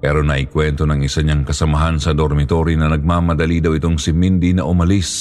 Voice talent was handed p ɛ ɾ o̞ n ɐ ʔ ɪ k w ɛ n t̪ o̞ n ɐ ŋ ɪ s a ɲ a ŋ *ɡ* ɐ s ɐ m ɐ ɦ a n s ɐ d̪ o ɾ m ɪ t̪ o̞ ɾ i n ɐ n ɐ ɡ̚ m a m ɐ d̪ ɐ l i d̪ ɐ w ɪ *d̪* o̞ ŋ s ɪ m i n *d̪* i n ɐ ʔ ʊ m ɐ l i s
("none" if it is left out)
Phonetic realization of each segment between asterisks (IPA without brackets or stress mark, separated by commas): k, t̪, d̪